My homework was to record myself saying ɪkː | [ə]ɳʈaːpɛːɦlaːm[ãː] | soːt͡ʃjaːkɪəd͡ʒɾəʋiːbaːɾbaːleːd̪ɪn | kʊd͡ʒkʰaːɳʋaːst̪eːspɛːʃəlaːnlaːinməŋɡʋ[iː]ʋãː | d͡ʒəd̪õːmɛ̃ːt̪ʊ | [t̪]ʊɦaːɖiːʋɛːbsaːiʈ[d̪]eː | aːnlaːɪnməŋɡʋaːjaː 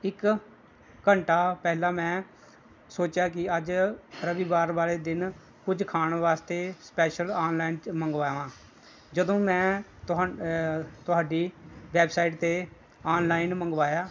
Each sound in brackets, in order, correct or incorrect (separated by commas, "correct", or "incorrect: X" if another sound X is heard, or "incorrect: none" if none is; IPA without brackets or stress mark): correct, incorrect: ɛ̃ː, incorrect: aː, correct, incorrect: t̪